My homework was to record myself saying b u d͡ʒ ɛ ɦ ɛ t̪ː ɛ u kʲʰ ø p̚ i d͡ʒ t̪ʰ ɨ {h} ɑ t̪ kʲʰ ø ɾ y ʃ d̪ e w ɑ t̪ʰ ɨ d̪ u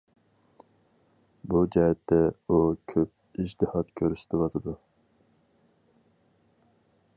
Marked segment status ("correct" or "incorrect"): correct